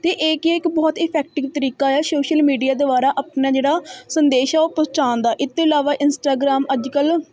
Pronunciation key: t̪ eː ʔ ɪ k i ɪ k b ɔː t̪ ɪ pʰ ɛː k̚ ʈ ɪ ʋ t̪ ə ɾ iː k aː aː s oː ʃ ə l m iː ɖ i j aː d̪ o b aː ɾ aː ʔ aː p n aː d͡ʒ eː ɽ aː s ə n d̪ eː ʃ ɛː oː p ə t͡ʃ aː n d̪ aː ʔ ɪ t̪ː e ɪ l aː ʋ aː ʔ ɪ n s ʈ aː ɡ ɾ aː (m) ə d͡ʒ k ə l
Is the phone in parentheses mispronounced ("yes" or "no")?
no